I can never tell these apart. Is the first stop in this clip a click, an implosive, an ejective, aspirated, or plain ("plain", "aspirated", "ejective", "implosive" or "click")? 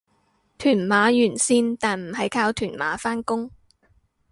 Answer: aspirated